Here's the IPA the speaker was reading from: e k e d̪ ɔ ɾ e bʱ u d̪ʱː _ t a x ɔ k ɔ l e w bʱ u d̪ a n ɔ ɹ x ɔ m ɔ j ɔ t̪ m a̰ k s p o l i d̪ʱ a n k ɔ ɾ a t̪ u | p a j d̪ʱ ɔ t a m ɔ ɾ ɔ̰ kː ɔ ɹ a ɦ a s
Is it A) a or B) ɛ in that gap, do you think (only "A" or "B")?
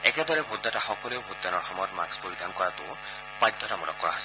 A